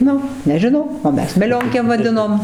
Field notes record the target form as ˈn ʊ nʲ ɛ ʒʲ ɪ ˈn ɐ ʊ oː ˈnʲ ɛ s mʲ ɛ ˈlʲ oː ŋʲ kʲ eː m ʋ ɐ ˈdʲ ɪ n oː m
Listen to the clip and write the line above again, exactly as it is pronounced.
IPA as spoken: ˈn ʊ nʲ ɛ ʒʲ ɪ ˈn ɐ ʊ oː ˈmʲ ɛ s mʲ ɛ ˈlʲ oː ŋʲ kʲ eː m ʋ ɐ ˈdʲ ɪ n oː m